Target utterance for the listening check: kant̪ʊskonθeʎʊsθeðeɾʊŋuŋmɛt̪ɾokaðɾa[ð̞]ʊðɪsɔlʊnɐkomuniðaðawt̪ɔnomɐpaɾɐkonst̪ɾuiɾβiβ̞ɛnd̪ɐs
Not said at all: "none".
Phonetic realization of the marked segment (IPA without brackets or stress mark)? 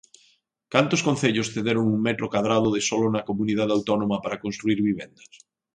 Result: ð̞